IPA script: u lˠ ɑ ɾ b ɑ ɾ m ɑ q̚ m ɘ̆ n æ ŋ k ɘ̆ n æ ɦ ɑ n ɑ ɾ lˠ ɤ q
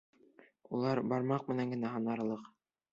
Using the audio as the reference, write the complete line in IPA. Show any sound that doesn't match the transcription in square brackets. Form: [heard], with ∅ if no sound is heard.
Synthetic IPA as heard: u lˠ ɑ ɾ b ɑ ɾ m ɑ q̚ m ɘ̆ n æ ŋ [ɡ] ɘ̆ n æ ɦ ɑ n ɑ ɾ lˠ ɤ q